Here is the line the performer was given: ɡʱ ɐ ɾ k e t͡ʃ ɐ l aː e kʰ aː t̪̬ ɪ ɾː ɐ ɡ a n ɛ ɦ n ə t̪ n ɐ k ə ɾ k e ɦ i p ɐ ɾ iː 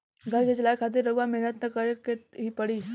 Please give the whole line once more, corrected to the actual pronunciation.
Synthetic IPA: ɡʱ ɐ ɾ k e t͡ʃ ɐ l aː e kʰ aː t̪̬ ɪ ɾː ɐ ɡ a m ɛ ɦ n ə t̪ n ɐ k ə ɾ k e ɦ i p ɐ ɽ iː